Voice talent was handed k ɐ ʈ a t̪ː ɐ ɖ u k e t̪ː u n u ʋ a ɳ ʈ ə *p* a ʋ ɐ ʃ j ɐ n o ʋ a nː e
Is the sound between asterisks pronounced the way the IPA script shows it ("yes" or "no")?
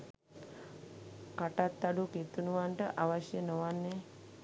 no